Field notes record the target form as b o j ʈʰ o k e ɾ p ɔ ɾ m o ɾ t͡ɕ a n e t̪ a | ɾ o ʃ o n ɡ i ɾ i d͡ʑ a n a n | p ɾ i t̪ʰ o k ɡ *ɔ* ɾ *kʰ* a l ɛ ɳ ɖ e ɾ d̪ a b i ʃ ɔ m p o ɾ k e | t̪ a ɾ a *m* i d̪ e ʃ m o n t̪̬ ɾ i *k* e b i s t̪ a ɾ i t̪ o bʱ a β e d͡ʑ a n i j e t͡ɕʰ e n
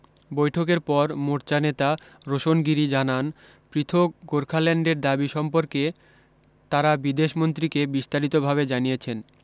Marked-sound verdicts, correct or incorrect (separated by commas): incorrect, correct, incorrect, correct